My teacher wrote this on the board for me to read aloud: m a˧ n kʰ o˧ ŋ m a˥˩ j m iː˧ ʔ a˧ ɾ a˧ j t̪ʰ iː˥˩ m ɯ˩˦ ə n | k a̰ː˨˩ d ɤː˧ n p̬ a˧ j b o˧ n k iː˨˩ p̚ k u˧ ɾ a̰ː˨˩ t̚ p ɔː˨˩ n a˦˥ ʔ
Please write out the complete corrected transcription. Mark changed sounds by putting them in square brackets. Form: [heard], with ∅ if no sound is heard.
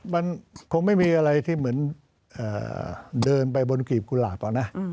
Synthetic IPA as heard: m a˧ n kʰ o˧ ŋ m a˥˩ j m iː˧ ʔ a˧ ɾ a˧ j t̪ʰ iː˥˩ m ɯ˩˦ ə n | [ʔ] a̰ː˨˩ d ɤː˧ n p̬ a˧ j b o˧ n k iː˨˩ p̚ k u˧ [l] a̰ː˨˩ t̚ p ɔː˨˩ n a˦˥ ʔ